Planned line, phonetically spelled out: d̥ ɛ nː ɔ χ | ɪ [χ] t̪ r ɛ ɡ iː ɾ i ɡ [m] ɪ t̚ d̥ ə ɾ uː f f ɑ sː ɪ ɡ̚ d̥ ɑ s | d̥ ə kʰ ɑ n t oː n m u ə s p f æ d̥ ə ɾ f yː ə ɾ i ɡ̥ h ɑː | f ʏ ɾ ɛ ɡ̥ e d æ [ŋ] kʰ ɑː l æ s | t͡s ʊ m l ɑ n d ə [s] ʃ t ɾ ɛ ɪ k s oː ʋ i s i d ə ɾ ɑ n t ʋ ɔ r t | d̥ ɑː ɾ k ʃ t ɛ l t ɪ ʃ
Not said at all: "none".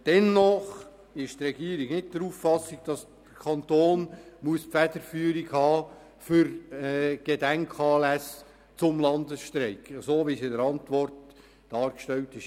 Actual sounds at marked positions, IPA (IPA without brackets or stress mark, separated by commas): ʃ, n, ŋ, s